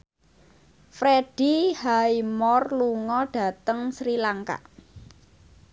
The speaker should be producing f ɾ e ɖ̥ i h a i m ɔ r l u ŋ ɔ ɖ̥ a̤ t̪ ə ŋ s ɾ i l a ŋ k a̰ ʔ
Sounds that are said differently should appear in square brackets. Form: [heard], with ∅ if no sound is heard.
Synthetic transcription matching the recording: f ɾ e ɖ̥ i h a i m ɔ r l u ŋ ɔ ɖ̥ a̤ t̪ ə ŋ s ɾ i l a ŋ k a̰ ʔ